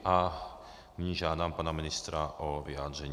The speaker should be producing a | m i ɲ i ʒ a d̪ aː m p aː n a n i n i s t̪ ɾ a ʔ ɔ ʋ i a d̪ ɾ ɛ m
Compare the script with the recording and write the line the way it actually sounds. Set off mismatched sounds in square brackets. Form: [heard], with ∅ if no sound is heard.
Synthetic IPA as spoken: a | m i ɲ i ʒ a d̪ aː m p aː n a [m] i n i s t̪ ɾ a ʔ ɔ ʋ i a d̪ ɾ ɛ [ɲ]